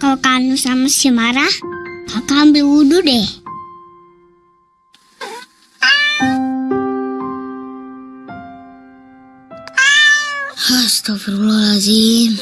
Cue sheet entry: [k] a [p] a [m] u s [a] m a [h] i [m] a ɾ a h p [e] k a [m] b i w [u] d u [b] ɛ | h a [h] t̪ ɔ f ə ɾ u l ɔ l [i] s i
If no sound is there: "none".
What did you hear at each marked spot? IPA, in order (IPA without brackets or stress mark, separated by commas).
k, k, n, a, s, m, a, m, u, d, s, a